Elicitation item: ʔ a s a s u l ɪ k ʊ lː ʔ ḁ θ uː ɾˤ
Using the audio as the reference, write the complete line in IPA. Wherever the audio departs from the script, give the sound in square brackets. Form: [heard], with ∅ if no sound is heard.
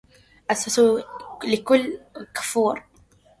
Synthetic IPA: ʔ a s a s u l ɪ k ʊ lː [k] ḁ [f] uː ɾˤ